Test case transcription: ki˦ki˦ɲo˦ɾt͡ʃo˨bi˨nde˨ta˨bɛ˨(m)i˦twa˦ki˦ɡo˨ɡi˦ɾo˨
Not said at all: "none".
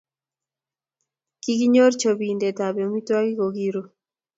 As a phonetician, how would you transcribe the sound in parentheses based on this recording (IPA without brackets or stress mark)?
m